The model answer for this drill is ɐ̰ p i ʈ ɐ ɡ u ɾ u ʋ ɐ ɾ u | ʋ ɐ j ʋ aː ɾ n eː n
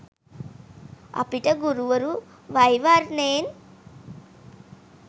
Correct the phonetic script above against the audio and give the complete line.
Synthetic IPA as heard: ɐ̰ p i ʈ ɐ ɡ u ɾ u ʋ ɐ ɾ u | ʋ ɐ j ʋ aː ɾ n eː n